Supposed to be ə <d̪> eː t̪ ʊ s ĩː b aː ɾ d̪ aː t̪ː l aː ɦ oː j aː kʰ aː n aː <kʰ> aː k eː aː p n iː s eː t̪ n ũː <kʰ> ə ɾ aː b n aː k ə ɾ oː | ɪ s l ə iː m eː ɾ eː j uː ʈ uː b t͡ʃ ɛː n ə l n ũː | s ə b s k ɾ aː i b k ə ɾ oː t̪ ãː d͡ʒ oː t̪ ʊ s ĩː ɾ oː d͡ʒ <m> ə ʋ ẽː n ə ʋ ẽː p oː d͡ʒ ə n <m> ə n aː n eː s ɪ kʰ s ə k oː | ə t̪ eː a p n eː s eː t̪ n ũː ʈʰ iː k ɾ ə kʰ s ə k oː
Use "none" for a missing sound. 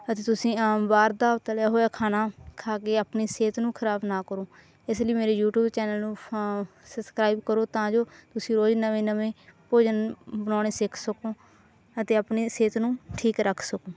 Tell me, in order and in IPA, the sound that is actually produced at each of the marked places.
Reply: t̪, kʰ, kʰ, n, b

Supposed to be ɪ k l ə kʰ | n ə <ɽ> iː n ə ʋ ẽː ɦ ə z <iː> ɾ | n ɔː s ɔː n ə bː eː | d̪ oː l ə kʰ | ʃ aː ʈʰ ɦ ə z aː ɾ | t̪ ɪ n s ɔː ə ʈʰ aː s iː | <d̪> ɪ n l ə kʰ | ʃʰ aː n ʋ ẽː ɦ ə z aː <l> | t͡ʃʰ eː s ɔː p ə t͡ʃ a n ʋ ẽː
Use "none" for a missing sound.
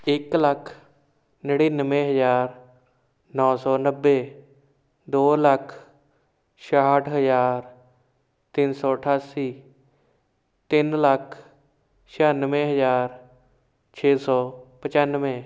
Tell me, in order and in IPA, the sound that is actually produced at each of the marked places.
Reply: ɽ, aː, t̪, ɾ

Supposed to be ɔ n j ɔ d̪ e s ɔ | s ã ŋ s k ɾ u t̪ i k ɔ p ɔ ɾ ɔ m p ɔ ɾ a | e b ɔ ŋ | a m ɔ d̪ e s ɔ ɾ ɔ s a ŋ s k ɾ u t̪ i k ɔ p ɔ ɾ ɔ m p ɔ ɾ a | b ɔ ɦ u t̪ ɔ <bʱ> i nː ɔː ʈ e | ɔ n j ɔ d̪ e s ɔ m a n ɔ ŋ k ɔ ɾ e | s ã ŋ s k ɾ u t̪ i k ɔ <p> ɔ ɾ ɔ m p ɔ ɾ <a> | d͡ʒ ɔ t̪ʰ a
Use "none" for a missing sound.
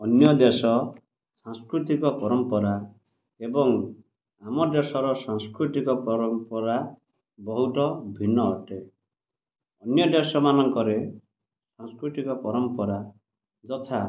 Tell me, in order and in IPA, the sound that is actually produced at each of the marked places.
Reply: bʱ, p, a

